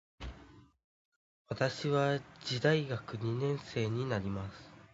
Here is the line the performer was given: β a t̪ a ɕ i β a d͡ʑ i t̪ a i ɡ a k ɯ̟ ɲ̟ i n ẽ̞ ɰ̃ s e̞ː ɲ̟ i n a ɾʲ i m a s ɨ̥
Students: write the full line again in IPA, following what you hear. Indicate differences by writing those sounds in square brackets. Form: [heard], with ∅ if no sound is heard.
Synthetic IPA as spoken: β a t̪ a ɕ i β a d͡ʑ i [d̪] a i ɡ a k ɯ̟ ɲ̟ i n ẽ̞ ɰ̃ s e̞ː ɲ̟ i n a ɾʲ i m a s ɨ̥